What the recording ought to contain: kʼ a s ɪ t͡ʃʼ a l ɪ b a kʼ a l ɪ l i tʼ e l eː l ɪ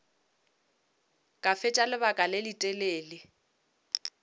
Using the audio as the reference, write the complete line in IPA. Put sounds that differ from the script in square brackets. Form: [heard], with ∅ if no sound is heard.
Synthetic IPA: kʼ a [f] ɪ t͡ʃʼ a l ɪ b a kʼ a l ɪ l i tʼ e l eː l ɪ